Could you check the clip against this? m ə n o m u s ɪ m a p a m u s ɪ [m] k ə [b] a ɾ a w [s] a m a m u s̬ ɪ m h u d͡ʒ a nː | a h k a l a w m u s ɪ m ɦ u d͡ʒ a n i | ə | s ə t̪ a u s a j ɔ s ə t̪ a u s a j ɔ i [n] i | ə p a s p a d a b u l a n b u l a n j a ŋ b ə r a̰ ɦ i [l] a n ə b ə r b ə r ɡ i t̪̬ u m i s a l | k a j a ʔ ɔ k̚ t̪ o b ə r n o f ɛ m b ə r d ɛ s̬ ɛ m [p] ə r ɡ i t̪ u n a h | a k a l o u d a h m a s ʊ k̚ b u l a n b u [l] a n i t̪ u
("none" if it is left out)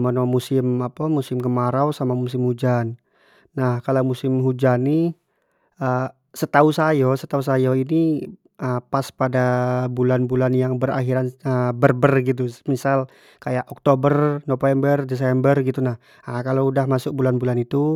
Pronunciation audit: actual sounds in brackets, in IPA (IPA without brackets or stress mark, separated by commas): m, m, s, n, ɾ, b, l